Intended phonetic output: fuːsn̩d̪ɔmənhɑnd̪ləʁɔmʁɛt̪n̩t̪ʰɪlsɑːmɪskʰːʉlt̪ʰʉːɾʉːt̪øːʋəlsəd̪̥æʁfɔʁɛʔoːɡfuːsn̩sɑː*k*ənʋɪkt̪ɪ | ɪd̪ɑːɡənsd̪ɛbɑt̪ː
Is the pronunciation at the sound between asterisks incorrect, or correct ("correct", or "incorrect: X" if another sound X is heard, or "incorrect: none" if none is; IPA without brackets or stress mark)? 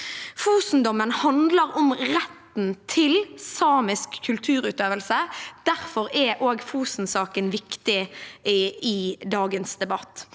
correct